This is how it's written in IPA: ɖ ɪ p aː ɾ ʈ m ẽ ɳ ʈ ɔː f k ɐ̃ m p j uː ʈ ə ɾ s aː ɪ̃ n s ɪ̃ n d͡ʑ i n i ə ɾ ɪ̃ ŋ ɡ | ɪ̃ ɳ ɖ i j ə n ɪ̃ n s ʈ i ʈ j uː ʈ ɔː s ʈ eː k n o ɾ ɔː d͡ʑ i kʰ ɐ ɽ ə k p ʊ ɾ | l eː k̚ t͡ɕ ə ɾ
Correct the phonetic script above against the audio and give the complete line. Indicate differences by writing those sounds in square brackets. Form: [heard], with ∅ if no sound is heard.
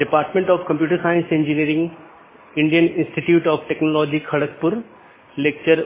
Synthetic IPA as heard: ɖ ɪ p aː ɾ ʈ m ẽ ɳ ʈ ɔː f k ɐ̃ m p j uː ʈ ə ɾ s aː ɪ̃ n s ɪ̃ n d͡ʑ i n i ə ɾ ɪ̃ ŋ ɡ | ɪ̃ ɳ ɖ i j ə n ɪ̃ n s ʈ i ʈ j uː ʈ ɔː [f] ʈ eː k n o [l] ɔː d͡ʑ i kʰ ɐ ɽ ə k p ʊ ɾ | l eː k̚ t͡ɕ ə ɾ